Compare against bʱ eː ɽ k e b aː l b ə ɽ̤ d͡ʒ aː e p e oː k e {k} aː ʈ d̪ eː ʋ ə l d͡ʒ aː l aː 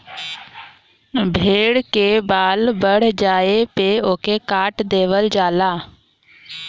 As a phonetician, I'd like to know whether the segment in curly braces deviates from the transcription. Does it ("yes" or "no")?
no